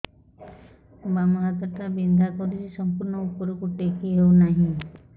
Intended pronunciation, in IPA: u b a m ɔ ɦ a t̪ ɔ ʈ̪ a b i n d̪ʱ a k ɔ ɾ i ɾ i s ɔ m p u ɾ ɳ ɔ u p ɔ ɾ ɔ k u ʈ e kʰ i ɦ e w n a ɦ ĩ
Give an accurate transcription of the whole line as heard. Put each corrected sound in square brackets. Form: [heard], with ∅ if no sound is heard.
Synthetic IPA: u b a m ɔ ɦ a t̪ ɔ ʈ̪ a b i n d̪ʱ a k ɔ ɾ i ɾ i s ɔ m p u ɾ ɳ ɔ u p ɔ ɾ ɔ k u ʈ e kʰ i ɦ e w n a ɦ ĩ